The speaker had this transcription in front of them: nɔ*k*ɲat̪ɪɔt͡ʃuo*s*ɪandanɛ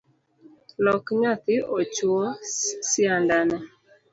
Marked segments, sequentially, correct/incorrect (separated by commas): correct, correct